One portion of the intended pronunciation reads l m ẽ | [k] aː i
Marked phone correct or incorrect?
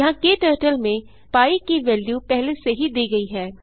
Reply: incorrect